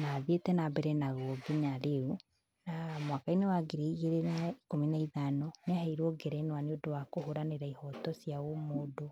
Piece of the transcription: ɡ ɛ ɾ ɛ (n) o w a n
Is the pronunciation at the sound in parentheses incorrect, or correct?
correct